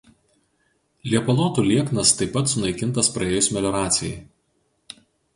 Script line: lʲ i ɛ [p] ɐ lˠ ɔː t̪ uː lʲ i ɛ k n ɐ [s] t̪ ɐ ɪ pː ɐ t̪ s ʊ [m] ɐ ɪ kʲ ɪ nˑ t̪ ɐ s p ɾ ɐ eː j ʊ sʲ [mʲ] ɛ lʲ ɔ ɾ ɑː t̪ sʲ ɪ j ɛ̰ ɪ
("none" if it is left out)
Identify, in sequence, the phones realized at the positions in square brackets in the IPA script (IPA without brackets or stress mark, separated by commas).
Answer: p, s, n, mʲ